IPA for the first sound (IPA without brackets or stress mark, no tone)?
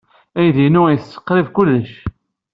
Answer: æ